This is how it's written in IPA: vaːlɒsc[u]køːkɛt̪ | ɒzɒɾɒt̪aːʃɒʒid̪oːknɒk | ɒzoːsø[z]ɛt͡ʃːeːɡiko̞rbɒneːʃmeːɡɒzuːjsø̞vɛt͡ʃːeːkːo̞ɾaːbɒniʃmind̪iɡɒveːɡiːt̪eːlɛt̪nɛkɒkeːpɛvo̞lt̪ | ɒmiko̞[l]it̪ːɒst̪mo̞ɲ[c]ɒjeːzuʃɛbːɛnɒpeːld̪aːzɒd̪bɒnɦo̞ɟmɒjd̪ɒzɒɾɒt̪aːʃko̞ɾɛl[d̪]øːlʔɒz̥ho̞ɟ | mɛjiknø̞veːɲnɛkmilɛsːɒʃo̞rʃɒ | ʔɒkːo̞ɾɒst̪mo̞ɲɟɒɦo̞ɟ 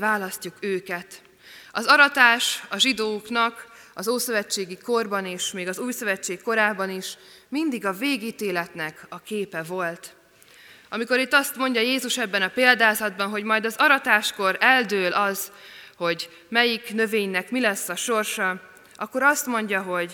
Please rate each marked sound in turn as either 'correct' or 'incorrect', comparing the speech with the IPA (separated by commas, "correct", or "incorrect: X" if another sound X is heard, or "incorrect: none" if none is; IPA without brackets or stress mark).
correct, incorrect: v, incorrect: ɾ, incorrect: ɟ, correct